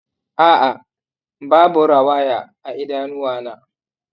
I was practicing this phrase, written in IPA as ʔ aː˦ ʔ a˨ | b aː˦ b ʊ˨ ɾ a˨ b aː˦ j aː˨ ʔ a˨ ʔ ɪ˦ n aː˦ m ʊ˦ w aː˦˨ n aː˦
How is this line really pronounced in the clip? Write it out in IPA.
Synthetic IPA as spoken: ʔ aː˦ ʔ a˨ | b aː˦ b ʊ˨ ɾ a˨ w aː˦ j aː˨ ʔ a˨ ʔ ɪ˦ d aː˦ n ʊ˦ w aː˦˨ n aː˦